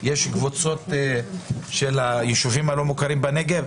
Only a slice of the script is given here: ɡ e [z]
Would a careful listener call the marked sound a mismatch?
yes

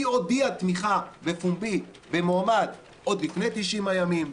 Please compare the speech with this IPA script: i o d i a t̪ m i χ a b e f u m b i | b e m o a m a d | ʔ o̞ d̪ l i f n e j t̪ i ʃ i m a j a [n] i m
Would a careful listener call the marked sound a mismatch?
yes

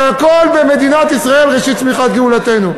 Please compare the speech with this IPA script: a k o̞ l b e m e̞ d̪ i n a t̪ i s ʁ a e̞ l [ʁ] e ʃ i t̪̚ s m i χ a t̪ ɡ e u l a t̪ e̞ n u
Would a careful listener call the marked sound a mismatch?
no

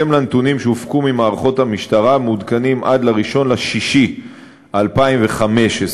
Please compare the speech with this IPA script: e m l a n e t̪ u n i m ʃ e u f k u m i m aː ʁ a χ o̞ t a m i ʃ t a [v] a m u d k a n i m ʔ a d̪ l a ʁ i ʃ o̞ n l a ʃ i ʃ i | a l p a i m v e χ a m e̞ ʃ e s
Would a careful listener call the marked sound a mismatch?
yes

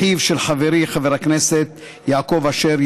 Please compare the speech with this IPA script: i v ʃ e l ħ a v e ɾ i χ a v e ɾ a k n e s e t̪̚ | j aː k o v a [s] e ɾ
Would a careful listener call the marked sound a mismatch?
yes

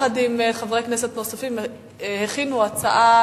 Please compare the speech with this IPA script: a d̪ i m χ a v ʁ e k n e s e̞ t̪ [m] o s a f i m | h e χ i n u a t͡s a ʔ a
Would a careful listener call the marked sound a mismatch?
yes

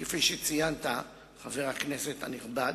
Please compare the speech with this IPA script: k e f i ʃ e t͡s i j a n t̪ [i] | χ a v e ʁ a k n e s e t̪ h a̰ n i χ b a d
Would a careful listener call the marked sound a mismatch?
yes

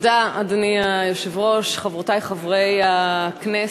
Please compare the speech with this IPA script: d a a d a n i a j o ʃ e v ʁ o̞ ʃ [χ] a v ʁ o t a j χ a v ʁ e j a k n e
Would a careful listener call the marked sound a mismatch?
no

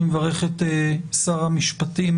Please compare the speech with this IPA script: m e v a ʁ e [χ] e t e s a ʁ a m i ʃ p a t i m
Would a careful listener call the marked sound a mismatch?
no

